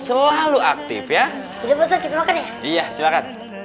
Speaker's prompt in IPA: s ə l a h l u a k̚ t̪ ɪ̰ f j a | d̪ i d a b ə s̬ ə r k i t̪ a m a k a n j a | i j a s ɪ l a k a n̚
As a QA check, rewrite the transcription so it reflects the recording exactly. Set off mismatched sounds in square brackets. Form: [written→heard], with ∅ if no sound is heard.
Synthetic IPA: s ə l a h l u a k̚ t̪ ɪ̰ f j a | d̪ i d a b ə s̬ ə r k i t̪ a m a k a n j a | i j a s [ɪ→i] l a k a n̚